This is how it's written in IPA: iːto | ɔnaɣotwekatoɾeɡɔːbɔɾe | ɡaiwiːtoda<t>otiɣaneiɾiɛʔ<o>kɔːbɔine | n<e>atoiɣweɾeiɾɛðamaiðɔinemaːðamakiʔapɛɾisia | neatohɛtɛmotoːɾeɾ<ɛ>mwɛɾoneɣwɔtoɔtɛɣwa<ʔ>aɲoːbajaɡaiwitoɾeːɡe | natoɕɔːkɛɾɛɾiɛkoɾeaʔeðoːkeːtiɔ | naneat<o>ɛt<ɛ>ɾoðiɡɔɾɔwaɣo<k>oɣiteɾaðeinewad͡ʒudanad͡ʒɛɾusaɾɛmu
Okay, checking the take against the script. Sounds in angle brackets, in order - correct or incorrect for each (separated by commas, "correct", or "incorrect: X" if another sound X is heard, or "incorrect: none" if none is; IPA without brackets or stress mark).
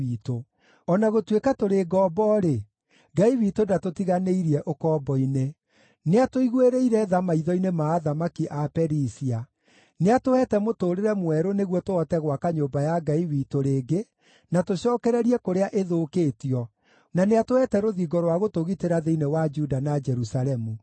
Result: correct, correct, correct, correct, incorrect: k, correct, correct, incorrect: t